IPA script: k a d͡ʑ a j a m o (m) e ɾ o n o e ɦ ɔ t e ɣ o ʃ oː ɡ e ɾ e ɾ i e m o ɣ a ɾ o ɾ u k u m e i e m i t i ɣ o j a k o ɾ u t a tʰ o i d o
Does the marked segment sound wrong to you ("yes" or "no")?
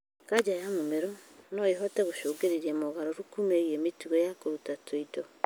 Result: no